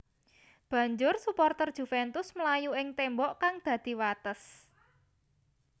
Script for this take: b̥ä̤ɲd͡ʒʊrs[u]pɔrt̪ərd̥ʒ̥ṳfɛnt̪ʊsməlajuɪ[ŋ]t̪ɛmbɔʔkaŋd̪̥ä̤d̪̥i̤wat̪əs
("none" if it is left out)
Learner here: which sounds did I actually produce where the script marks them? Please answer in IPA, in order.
u, ŋ

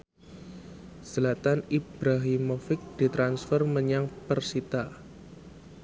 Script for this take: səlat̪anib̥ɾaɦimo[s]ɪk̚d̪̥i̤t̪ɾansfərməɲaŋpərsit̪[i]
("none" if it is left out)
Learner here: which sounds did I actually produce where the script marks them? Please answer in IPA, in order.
f, a

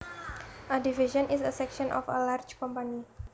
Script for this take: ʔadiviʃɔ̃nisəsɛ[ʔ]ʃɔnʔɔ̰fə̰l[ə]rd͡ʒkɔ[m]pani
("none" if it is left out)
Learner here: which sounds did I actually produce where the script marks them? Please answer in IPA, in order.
k, a, m

